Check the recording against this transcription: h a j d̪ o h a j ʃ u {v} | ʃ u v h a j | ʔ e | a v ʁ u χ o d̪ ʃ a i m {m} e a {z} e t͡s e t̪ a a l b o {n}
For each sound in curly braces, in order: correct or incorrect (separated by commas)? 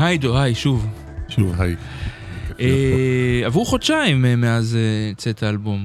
correct, correct, correct, incorrect